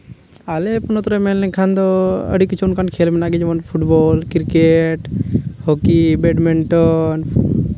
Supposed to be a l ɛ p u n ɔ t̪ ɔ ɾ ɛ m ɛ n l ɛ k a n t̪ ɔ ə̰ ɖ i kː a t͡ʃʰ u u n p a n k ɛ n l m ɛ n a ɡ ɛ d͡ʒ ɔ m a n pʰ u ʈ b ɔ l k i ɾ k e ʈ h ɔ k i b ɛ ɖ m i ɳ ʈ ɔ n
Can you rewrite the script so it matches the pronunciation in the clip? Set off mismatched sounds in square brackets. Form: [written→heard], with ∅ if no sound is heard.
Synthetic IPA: a l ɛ p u n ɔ t̪ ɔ ɾ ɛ m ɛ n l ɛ [k→kʰ] a n [t̪→d̪] ɔ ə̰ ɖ i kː [a→i] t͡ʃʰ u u n [p→k] a n [k→kʰ] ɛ [n→∅] l m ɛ n a ɡ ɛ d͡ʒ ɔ m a n pʰ u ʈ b ɔ l k i ɾ k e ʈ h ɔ k i b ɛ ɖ m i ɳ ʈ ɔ n